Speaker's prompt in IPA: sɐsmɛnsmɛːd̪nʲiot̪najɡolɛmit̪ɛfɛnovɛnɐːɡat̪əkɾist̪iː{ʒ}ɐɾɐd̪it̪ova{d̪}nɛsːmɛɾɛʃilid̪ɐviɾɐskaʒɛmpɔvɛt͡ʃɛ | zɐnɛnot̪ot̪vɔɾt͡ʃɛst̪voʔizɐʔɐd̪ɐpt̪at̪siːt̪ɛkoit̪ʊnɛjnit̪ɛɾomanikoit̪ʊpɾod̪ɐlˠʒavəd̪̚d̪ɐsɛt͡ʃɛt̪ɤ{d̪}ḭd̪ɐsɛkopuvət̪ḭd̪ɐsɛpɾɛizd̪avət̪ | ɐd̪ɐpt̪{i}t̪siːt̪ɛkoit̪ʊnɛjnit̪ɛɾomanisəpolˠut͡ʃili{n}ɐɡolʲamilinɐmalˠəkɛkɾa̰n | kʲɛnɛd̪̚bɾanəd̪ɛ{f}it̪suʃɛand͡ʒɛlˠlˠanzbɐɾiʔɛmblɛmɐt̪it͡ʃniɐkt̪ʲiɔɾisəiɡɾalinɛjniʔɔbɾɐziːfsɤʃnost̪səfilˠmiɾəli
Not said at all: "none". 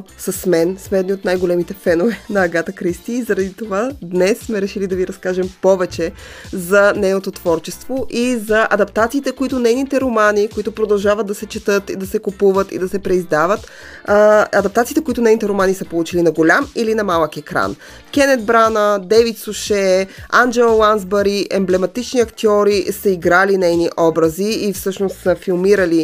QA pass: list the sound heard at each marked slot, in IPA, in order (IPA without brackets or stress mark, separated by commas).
z, d̪, t̪, a, n, v